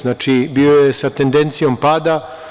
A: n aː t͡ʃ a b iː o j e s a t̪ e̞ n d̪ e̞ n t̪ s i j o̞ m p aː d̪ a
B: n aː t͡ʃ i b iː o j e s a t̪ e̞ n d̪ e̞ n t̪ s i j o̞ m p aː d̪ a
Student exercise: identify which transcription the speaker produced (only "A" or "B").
B